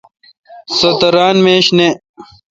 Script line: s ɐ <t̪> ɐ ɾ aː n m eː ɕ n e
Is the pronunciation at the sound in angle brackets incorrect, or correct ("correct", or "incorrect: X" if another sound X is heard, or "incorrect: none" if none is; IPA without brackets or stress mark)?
correct